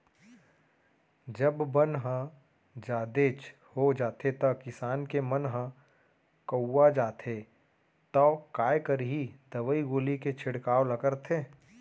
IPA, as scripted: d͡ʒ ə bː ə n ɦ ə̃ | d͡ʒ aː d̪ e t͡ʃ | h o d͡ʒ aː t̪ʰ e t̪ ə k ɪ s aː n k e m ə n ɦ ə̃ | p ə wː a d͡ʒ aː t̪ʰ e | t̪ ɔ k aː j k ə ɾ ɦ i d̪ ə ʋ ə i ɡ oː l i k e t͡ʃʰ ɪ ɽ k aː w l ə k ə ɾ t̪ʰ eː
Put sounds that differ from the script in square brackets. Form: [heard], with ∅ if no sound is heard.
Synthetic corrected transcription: d͡ʒ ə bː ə n ɦ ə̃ | d͡ʒ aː d̪ e t͡ʃ | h o d͡ʒ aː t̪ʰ e t̪ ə k ɪ s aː n k e m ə n ɦ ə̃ | [k] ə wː a d͡ʒ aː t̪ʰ e | t̪ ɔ k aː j k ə ɾ ɦ i d̪ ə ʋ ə i ɡ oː l i k e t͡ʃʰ ɪ ɽ k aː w l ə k ə ɾ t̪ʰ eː